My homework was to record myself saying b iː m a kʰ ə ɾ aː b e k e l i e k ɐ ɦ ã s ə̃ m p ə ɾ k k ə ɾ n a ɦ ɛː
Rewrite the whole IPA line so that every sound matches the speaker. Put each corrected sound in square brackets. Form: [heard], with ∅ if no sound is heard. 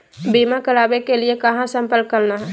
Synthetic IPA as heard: b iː m a [k] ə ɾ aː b e k e l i e k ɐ ɦ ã s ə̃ m p ə [l] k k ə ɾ n a ɦ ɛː